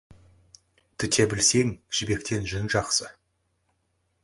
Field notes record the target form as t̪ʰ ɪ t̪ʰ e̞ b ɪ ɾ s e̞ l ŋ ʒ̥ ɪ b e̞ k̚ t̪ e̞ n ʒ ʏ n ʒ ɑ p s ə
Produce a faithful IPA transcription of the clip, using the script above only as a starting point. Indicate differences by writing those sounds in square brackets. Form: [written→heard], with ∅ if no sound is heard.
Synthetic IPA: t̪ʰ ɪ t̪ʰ e̞ b ɪ [ɾ→l] s e̞ [l→∅] ŋ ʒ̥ ɪ b e̞ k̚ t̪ e̞ n ʒ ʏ n ʒ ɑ [p→q] s ə